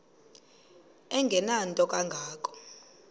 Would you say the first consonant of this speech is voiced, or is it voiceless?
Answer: voiced